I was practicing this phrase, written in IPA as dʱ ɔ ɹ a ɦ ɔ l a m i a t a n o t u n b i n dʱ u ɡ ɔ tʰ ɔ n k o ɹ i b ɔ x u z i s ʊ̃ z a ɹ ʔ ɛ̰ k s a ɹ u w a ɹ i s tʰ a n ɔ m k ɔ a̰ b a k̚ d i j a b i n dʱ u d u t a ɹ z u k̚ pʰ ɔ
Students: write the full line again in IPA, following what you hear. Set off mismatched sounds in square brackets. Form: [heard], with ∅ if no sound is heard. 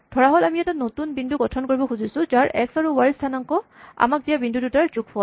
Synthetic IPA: dʱ ɔ ɹ a ɦ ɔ l a m i [ɛ] t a n o t u n b i n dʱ u ɡ ɔ tʰ ɔ n k o ɹ i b ɔ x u z i s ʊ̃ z a ɹ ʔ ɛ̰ k s a ɹ u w a ɹ i s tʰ a n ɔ [ŋ] k ɔ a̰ [m] a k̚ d i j a b i n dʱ u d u t a ɹ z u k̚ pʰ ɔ